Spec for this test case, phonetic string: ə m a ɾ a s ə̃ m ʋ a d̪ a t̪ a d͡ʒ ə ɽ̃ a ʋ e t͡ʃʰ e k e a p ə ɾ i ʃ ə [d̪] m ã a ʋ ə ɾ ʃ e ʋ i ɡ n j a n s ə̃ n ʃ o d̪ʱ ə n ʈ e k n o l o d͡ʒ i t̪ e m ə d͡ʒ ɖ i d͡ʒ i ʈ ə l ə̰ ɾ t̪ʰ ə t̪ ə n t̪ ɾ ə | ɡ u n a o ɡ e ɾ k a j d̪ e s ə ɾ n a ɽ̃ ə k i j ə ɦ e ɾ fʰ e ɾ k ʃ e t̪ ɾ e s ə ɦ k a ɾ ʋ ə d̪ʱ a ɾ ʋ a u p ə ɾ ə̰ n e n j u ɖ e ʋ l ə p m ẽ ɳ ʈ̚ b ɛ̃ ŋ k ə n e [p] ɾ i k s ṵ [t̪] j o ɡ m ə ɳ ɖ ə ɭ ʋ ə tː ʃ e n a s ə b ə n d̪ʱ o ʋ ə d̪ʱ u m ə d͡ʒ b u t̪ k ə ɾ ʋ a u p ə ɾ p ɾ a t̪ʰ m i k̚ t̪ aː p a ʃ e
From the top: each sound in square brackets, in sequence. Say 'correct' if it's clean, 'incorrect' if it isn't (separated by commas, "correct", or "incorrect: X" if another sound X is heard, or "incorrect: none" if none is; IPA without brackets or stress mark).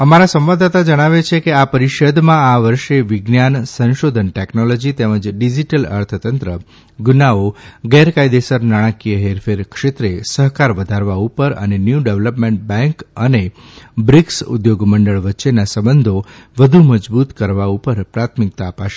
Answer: correct, incorrect: b, incorrect: d̪